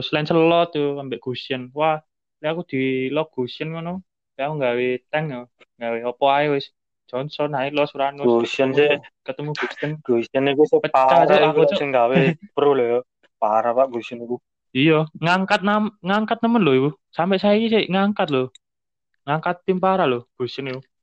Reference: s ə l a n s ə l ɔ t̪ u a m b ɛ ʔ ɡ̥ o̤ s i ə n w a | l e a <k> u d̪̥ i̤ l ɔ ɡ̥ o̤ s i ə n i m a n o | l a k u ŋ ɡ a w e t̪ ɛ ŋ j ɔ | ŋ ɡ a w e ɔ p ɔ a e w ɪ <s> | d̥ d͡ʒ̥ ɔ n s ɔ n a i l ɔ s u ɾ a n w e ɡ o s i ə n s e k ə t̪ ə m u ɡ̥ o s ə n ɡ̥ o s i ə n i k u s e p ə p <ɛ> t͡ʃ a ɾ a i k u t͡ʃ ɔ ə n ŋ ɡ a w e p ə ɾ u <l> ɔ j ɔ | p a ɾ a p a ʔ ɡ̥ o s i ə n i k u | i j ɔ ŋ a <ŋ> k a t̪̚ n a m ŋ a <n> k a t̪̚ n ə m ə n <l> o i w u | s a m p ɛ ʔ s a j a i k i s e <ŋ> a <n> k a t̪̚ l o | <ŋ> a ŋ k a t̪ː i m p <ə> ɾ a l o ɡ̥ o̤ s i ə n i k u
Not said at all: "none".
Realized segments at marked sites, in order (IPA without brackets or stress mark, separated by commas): k, s, a, l, ŋ, ŋ, l, ŋ, ŋ, ŋ, a